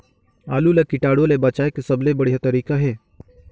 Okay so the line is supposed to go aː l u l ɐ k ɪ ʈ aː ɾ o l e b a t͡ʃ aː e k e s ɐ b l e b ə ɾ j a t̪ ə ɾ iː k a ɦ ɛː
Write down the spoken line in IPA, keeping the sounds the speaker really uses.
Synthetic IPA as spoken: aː l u l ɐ k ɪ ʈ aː ɽ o l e b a t͡ʃ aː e k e s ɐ b l e b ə ɽ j a t̪ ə ɾ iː k a ɦ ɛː

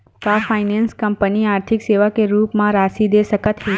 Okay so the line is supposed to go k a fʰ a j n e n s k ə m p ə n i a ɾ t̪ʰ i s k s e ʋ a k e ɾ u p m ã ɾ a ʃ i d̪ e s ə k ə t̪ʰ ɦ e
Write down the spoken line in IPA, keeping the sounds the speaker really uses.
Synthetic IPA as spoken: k a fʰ a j n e n s k ə m p ə n i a ɾ t̪ʰ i k s e ʋ a k e ɾ u p m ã ɾ a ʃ i d̪ e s ə k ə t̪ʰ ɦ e

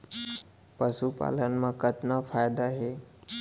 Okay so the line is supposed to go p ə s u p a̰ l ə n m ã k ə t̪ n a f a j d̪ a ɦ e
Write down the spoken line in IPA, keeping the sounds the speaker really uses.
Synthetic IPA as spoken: p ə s u p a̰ l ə n m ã k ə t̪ n a f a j d̪ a ɦ e

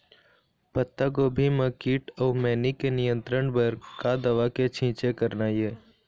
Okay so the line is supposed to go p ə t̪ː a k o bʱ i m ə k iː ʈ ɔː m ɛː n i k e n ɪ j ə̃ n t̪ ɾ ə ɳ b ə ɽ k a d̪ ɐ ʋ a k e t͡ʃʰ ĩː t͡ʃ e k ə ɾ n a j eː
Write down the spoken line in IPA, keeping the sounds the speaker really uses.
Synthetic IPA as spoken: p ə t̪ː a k o bʱ i m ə k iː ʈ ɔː m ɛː n i k e n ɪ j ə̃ n t̪ ɾ ə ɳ b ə ɾ k a d̪ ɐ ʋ a k e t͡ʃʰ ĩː t͡ʃ e k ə ɾ n a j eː

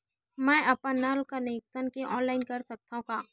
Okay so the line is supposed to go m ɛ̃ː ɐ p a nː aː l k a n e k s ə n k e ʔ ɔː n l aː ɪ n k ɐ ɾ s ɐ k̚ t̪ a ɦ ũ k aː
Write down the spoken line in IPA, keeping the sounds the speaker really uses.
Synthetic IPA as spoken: m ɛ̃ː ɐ p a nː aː l k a n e k s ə n k e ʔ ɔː n l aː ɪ n k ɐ ɾ s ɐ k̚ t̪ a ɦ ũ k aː

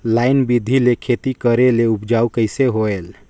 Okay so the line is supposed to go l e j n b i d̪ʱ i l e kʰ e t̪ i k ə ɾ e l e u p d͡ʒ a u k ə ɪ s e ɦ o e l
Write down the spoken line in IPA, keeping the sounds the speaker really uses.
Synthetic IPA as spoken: l a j n b i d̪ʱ i l e kʰ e t̪ i k ə ɾ e l e u p d͡ʒ a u k ə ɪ s e ɦ o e l

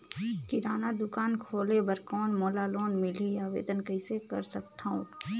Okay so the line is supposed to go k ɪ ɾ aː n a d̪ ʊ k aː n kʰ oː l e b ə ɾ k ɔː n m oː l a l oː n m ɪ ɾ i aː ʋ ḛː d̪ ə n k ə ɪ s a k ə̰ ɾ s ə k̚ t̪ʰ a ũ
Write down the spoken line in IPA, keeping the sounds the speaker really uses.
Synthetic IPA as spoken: k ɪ ɾ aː n a d̪ ʊ k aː n kʰ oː l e b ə ɾ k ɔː n m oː l a l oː n m ɪ l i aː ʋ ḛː d̪ ə n k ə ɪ s e k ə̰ ɾ s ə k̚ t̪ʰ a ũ

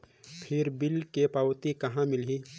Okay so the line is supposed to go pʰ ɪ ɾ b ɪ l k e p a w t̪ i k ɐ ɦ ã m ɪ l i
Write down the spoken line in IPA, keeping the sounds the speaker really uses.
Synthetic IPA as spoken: pʰ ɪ ɾ b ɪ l k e p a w t̪ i k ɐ ɦ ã m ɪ l i

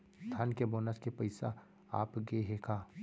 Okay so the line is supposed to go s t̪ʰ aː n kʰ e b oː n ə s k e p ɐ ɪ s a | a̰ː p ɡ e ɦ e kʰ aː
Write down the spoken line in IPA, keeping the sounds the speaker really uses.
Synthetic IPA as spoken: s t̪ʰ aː n k e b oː n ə s k e p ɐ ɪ s a | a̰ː p ɡ e ɦ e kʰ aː

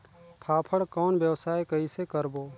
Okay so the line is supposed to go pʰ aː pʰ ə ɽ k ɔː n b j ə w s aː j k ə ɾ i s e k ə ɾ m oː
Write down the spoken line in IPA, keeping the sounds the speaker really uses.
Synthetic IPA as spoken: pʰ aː pʰ ə ɽ k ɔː n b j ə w s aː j k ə i s e k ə ɾ b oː

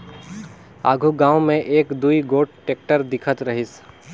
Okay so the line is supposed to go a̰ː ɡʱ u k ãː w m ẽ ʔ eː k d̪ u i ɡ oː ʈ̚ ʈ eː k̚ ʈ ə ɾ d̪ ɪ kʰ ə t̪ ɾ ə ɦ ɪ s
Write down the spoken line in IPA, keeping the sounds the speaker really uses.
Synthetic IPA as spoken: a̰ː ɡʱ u ɡ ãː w m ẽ ʔ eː k d̪ u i ɡ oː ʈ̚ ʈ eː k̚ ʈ ə ɾ d̪ ɪ kʰ ə t̪ ɾ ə ɦ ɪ s

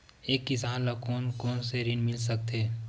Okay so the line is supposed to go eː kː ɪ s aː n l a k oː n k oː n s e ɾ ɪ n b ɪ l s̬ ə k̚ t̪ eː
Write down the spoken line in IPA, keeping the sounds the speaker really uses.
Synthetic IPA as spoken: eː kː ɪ s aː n l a k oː n k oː n s e ɾ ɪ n m ɪ l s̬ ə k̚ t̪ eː

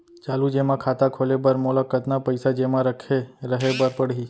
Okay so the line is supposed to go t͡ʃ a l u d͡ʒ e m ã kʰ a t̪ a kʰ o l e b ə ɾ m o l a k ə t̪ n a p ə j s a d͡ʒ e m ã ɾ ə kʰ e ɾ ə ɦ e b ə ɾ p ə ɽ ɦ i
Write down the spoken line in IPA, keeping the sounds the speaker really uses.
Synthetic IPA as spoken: t͡ʃ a l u d͡ʒ e m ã kʰ a t̪ a kʰ o l e b ə ɾ m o l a k ə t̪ n a p ə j s a d͡ʒ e m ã ɾ ə kʰ e ɾ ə ɦ e b ə ɾ p ə ɽ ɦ i

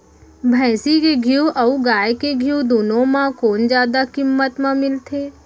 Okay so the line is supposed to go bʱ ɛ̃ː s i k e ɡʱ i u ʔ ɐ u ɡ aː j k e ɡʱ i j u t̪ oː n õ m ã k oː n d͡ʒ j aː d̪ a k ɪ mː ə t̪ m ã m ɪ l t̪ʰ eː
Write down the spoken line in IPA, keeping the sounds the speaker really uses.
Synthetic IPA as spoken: bʱ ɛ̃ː s i k e ɡʱ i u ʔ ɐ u ɡ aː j k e ɡʱ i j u d̪ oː n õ m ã k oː n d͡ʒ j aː d̪ a k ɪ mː ə t̪ m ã m ɪ l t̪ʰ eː

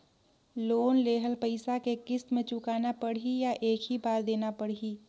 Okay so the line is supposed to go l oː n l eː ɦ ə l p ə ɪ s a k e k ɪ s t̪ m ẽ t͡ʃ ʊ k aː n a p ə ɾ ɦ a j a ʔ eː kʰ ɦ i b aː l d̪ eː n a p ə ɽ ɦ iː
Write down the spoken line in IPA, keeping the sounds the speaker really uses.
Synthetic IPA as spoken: l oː n l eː ɦ ə l p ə ɪ s a k e k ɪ s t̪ m ẽ t͡ʃ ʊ k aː n a p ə ɽ ɦ i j a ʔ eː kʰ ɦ i b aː ɾ d̪ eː n a p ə ɽ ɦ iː

